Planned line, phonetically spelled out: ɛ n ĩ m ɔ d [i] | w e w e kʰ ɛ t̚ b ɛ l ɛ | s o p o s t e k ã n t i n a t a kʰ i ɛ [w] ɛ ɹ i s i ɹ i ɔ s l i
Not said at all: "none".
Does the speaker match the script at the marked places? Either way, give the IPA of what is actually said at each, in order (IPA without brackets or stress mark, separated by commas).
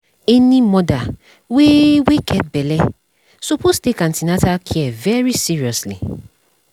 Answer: a, v